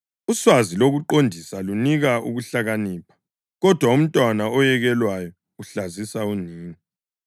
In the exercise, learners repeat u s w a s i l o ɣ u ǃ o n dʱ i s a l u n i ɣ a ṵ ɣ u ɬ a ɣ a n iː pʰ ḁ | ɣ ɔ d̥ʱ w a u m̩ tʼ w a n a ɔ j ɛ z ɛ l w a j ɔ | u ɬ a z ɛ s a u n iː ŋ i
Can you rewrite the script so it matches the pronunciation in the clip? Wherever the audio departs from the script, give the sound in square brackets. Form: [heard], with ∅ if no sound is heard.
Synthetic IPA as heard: u s w a [z] i l o ɣ u ǃ o n dʱ i s a l u n i ɣ a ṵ ɣ u ɬ a ɣ a n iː pʰ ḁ | ɣ ɔ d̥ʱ w a u m̩ tʼ w a n a ɔ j ɛ [ɣ] ɛ l w a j ɔ | u ɬ a z [i] s a u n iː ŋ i